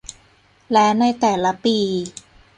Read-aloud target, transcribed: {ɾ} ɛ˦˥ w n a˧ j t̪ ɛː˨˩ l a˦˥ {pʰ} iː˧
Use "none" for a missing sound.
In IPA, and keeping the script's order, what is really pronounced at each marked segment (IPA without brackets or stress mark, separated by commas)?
l, p